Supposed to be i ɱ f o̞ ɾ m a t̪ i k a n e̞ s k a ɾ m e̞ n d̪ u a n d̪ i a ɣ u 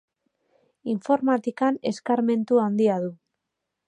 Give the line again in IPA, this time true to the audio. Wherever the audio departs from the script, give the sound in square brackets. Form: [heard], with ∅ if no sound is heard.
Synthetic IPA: i ɱ f o̞ ɾ m a t̪ i k a n e̞ s k a ɾ m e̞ n [t̪] u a n d̪ i a [ð] u